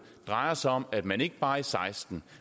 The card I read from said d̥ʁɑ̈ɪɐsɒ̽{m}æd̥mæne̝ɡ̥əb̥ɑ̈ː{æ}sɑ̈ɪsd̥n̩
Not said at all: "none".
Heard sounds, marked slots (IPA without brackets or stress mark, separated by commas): m, i